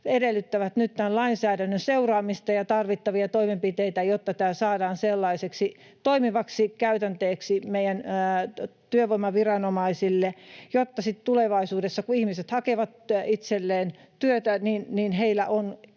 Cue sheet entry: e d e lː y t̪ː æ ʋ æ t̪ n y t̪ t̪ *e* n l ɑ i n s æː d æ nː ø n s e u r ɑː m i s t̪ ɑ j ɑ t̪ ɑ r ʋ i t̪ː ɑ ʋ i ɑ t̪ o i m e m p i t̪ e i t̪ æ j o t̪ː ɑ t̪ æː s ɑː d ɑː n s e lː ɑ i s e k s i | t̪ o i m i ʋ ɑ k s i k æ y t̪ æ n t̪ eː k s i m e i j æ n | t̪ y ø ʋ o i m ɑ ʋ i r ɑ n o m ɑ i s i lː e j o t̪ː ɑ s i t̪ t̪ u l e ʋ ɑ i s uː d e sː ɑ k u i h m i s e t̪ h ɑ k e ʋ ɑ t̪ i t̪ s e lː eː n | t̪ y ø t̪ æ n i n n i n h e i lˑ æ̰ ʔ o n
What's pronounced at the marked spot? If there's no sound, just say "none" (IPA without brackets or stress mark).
æ